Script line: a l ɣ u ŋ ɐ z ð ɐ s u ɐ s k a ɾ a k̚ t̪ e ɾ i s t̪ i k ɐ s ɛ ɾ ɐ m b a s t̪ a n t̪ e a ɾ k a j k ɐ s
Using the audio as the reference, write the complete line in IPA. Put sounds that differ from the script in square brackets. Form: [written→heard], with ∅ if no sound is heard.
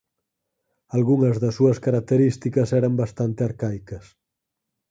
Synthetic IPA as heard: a l ɣ u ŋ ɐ z ð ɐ s u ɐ s k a ɾ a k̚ t̪ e ɾ i s t̪ i k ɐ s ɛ ɾ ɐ m b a s t̪ a n t̪ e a ɾ k a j k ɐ s